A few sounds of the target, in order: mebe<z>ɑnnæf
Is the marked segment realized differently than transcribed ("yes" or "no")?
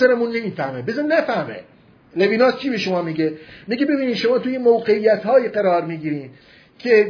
no